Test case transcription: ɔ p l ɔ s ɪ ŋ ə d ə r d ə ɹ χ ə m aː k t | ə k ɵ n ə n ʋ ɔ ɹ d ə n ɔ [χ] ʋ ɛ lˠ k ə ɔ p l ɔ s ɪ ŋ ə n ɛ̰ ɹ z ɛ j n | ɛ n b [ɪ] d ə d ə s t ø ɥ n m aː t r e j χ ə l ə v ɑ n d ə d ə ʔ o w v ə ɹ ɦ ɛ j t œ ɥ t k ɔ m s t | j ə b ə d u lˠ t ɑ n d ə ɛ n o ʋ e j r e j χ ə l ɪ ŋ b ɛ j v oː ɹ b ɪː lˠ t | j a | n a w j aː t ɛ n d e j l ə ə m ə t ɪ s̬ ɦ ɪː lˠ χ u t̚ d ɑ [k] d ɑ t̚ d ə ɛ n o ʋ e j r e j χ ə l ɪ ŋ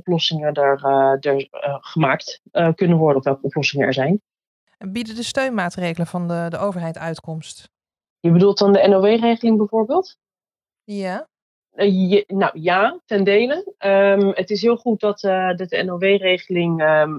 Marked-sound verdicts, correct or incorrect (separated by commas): incorrect, incorrect, incorrect